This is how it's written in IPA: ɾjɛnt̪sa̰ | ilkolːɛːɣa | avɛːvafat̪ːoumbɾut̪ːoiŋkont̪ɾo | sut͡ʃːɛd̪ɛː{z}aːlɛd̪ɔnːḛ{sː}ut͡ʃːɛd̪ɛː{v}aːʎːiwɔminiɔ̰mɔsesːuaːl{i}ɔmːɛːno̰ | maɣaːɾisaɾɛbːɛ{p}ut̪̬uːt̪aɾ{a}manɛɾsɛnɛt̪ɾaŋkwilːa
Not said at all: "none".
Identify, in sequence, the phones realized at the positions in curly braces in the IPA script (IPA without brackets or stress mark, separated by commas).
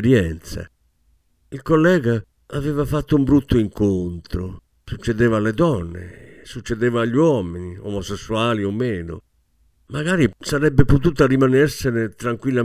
v, s, v, i, p, i